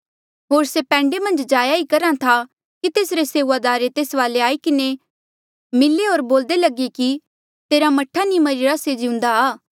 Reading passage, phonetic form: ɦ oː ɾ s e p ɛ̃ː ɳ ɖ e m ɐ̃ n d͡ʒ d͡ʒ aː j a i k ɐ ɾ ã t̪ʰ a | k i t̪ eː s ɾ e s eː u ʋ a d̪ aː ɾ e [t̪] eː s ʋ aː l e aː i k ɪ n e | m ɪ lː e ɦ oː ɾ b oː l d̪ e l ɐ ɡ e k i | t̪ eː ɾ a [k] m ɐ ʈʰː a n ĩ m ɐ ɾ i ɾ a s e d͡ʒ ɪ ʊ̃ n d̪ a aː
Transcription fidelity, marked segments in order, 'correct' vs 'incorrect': correct, incorrect

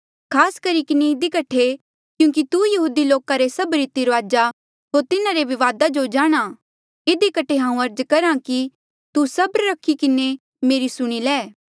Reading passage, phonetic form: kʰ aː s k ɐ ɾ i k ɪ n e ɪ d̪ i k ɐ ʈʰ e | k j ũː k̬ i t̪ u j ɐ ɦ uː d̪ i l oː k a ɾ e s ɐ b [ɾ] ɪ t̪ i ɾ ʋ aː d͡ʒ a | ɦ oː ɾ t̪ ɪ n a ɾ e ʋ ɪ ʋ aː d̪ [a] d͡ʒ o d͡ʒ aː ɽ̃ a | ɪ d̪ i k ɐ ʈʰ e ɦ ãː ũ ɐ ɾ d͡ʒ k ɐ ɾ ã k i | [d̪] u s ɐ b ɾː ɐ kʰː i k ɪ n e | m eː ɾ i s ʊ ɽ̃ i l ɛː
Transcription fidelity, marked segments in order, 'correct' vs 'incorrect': correct, correct, incorrect

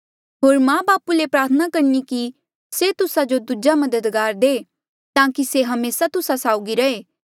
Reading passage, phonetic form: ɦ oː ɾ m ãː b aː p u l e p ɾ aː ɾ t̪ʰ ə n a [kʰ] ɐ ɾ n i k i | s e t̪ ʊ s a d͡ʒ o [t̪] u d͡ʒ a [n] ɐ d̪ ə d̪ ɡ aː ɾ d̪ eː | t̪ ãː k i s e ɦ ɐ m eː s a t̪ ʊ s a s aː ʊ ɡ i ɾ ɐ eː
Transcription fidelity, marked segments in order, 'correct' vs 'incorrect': incorrect, incorrect, incorrect

